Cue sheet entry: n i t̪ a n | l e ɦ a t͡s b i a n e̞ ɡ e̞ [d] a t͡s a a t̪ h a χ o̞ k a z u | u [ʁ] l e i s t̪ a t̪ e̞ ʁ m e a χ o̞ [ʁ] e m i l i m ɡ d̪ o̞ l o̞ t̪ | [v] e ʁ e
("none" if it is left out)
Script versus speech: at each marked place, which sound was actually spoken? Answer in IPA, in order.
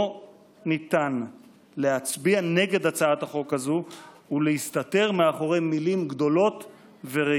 d, none, ʁ, v

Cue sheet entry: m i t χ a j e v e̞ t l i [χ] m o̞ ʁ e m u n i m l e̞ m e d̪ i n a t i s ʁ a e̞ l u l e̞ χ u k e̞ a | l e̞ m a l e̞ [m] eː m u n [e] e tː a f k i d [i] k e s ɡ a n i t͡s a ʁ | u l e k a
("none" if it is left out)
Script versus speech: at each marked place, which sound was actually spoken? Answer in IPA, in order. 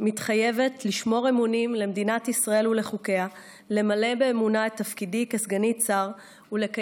ʃ, b, a, i

